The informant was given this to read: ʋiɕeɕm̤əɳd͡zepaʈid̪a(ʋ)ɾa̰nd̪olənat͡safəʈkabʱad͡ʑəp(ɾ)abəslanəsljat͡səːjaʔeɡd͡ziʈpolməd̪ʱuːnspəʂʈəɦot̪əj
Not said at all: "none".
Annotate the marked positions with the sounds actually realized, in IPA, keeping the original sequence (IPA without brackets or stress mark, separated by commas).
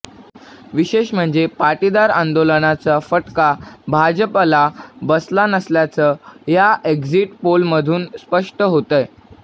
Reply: none, l